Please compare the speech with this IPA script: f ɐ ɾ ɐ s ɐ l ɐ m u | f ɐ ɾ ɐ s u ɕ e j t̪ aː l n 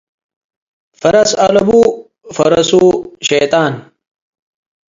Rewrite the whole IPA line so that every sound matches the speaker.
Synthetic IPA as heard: f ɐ ɾ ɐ s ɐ l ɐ b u | f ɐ ɾ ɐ s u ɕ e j t̪ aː n